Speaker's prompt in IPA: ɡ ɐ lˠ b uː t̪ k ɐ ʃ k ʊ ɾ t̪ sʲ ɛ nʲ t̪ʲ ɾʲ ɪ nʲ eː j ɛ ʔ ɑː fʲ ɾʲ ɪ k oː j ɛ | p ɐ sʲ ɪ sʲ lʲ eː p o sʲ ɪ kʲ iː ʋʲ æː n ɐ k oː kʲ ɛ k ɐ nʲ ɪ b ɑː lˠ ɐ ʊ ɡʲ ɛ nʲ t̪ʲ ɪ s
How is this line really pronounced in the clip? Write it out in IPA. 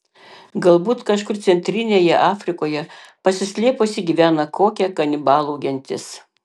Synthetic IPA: ɡ ɐ lˠ b uː t̪ k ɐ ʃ k ʊ ɾ t̪ sʲ ɛ nʲ t̪ʲ ɾʲ ɪ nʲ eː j ɛ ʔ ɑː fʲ ɾʲ ɪ k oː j ɛ | p ɐ sʲ ɪ sʲ lʲ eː p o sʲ ɪ ɡʲ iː ʋʲ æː n ɐ k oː kʲ ɛ k ɐ nʲ ɪ b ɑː lˠ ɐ ʊ ɡʲ ɛ nʲ t̪ʲ ɪ s